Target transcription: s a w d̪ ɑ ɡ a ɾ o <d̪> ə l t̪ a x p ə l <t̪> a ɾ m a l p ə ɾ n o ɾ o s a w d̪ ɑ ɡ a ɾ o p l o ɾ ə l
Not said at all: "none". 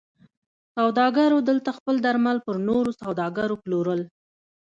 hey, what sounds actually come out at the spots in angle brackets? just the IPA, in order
d̪, d̪

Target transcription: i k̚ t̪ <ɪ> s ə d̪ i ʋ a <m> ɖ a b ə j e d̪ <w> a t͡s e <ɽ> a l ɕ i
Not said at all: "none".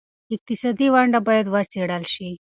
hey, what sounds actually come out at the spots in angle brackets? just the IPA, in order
i, ɳ, ʋ, ɽ

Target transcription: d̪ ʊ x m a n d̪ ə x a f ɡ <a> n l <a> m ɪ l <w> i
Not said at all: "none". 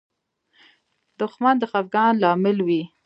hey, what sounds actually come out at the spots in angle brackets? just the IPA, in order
ɑ, ɑ, w

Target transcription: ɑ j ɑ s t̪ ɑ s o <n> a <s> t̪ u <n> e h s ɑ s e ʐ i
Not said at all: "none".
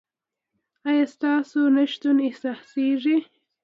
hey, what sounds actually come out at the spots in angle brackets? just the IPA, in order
n, ʃ, n

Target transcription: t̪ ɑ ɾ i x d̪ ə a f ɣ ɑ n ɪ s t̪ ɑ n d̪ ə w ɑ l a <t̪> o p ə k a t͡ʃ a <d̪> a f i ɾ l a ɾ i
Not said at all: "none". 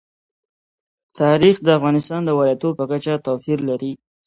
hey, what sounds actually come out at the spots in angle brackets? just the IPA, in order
t̪, t̪

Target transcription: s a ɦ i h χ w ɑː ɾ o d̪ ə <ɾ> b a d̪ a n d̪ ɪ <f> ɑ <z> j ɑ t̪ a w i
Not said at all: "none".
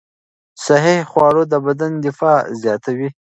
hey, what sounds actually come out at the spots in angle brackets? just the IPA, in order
none, f, z

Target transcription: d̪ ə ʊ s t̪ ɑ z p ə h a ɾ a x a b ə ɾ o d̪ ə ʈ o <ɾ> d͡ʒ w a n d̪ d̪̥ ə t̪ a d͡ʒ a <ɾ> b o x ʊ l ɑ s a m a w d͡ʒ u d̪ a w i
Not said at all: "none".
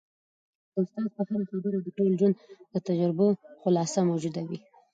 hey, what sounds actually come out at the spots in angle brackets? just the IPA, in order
l, ɾ

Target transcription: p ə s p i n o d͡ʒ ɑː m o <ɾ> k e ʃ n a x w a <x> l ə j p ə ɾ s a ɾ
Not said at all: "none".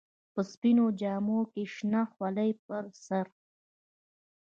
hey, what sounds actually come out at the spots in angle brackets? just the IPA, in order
none, none

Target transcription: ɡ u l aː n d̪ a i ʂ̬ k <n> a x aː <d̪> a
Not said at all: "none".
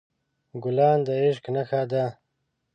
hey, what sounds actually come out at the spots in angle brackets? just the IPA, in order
n, d̪

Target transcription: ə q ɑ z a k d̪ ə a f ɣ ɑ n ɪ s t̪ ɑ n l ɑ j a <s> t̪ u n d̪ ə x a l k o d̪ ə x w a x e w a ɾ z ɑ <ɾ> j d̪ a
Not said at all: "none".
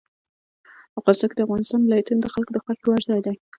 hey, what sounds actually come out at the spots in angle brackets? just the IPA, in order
none, none

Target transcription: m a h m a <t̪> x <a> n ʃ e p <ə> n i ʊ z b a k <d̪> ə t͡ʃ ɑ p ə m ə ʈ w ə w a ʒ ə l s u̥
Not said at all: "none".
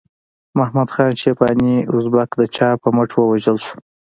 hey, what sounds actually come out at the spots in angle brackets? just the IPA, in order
d̪, ɑ, ɑ, d̪

